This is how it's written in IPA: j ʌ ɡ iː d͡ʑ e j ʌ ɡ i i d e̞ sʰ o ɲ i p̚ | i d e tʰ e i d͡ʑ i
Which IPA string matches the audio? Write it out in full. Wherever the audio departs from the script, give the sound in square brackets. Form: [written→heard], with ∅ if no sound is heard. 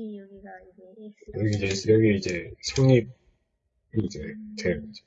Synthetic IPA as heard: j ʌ ɡ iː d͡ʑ e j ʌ ɡ i i [d→d͡ʑ] e̞ sʰ o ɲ i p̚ | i [d→d͡ʑ] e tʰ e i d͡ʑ [i→e]